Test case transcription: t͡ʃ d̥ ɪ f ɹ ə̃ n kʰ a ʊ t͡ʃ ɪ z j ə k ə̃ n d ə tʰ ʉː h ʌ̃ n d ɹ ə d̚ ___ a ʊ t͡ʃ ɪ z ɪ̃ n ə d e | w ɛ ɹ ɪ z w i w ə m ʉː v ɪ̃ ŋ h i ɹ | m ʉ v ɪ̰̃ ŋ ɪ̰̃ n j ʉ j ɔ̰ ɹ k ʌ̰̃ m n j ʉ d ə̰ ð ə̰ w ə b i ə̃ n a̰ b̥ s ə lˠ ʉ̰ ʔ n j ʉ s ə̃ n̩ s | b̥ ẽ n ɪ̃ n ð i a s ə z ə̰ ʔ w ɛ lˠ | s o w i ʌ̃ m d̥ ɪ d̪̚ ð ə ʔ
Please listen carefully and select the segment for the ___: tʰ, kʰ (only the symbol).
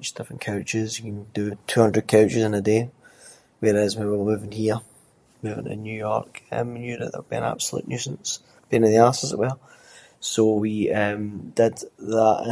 kʰ